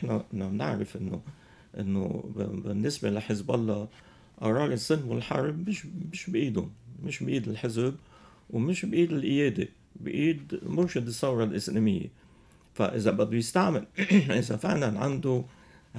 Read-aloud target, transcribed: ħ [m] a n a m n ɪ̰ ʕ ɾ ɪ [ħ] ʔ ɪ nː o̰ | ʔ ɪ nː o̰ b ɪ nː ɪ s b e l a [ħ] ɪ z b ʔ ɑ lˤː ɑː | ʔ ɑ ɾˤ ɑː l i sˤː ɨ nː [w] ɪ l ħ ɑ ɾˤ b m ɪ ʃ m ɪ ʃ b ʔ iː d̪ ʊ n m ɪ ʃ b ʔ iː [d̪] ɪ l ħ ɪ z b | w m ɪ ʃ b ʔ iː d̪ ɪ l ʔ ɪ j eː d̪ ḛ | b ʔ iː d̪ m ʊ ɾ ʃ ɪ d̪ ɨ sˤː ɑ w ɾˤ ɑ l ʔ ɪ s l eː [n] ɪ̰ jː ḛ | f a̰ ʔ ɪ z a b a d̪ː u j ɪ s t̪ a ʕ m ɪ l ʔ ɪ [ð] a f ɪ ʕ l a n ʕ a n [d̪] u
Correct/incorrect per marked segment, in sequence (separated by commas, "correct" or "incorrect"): incorrect, incorrect, correct, correct, correct, incorrect, incorrect, correct